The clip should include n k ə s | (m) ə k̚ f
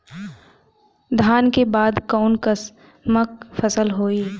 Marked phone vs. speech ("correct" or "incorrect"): correct